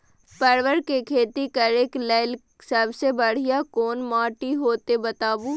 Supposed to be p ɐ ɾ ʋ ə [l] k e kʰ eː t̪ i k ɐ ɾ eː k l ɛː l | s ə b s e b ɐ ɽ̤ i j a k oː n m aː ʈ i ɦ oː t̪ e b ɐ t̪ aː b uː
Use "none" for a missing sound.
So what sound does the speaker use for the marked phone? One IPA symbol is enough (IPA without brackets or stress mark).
ɾ